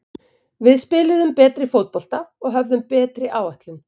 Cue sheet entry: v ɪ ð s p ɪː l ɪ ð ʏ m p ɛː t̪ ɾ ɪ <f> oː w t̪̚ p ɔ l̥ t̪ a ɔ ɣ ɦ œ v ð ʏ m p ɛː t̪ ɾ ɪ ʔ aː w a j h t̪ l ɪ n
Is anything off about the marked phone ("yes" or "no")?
no